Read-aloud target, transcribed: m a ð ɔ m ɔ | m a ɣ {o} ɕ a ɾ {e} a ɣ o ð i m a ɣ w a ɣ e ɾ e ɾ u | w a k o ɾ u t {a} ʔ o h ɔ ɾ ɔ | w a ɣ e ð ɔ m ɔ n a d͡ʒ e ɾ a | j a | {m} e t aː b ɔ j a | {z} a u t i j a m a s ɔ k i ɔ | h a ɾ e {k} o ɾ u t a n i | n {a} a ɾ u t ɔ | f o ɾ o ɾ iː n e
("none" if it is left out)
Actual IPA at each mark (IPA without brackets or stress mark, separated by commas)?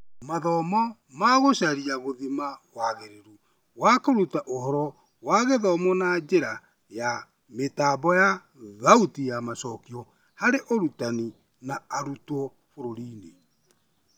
o, i, a, m, ð, ʔ, a